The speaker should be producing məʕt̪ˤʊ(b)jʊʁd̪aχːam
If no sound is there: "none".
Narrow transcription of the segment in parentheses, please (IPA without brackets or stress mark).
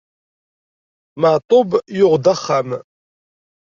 b